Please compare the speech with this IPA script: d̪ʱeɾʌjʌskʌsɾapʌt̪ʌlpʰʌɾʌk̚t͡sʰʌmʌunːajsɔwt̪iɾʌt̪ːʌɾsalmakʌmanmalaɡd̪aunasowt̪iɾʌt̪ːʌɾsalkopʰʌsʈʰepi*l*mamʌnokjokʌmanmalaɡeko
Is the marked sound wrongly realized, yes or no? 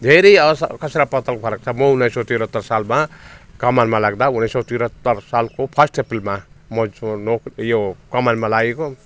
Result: no